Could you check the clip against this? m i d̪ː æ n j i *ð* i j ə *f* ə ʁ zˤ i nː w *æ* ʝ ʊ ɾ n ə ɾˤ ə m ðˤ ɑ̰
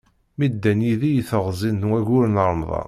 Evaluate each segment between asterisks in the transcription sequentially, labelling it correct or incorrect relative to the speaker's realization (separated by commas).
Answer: correct, incorrect, correct